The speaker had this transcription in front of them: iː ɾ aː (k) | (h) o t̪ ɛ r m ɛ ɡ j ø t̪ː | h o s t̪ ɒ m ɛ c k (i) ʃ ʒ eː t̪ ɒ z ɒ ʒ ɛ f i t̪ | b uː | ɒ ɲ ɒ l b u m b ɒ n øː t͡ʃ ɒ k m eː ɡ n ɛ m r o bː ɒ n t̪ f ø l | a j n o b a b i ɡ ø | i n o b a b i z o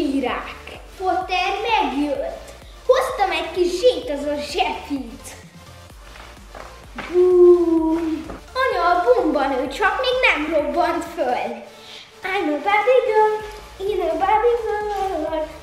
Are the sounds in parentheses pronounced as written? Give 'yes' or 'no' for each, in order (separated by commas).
yes, no, yes